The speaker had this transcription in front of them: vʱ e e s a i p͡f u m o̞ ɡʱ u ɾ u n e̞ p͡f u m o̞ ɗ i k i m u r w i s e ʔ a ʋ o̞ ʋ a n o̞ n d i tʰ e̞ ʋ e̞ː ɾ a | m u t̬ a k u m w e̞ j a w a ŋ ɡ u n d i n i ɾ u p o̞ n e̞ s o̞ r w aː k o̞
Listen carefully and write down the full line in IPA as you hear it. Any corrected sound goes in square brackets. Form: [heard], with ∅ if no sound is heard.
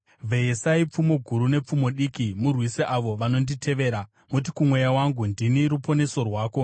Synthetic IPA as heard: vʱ e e s a i p͡f u m o̞ ɡʱ u ɾ u n e̞ p͡f u m o̞ ɗ i k i m u r w i s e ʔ a ʋ o̞ ʋ a n o̞ n d i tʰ e̞ ʋ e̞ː ɾ a | m u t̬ [i] k u m w e̞ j a w a ŋ ɡ u n d i n i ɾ u p o̞ n e̞ s o̞ r w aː k o̞

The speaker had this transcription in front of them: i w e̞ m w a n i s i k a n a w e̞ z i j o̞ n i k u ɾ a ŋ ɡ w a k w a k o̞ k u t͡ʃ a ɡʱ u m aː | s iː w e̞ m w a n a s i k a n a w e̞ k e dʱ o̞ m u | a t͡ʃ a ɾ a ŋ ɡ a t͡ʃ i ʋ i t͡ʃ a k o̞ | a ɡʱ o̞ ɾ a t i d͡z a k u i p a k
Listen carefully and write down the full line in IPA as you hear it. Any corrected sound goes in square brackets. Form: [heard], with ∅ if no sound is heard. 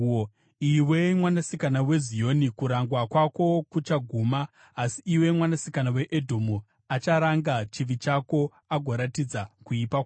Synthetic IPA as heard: i w e̞ m w a n [a] s i k a n a w e̞ z i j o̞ n i k u ɾ a ŋ ɡ w a k w a k o̞ k u t͡ʃ a ɡʱ u m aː | s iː w e̞ m w a n a s i k a n a w e̞ [ʔ] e dʱ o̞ m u | a t͡ʃ a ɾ a ŋ ɡ a t͡ʃ i ʋ i t͡ʃ a k o̞ | a ɡʱ o̞ ɾ a t i d͡z a k u i p a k

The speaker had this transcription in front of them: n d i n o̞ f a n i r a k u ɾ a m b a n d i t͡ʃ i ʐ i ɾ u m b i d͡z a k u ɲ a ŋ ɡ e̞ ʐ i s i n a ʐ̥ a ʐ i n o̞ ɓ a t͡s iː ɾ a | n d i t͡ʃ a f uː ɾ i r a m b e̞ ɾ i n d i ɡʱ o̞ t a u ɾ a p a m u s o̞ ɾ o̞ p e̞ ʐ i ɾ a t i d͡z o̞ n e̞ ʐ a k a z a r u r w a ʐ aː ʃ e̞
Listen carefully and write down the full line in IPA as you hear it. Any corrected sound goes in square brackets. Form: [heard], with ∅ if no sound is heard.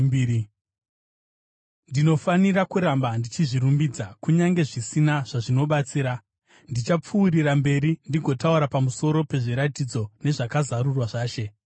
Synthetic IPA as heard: n d i n o̞ f a n i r a k u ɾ a m b a n d i t͡ʃ i ʐ i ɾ u m b i d͡z a k u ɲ a ŋ ɡ e̞ ʐ i s i n a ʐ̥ a ʐ i n o̞ ɓ a t͡s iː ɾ a | n d i t͡ʃ a [p͡f] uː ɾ i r a m b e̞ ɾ i n d i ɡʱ o̞ t a u ɾ a p a m u s o̞ ɾ o̞ p e̞ ʐ i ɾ a t i d͡z o̞ n e̞ ʐ a k a z a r u r w a ʐ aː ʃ e̞

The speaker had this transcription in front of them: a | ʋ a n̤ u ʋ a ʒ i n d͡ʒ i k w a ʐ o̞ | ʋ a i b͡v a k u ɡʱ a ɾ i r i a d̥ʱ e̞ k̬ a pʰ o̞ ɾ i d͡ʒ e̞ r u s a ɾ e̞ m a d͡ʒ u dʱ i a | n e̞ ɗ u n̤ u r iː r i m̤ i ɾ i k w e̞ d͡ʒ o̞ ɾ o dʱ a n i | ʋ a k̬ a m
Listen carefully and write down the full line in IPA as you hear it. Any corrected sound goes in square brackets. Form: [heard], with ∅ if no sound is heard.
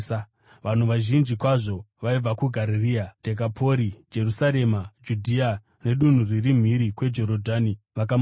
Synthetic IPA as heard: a | ʋ a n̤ u ʋ a ʒ i n d͡ʒ i k w a ʐ o̞ | ʋ a i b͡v a k u ɡʱ a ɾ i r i a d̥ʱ e̞ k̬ a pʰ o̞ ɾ i d͡ʒ e̞ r u s a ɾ e̞ m a d͡ʒ u dʱ i a | n e̞ ɗ u n̤ u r [i] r i m̤ i ɾ i k w e̞ d͡ʒ o̞ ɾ o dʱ a n i | ʋ a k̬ a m

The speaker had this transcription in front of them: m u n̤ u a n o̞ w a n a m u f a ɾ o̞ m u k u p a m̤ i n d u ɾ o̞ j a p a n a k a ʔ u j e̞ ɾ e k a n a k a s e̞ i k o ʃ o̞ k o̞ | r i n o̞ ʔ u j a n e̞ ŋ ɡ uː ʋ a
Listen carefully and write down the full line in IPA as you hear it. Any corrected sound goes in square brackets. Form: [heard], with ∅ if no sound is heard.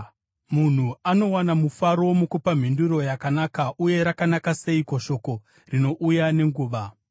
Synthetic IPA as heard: m u n̤ u a n o̞ w a n a m u f a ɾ o̞ m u k u p a m̤ i n d u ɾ o̞ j a [k] a n a k a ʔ u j e̞ ɾ [a] k a n a k a s e̞ i k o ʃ o̞ k o̞ | r i n o̞ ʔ u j a n e̞ ŋ ɡ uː ʋ a

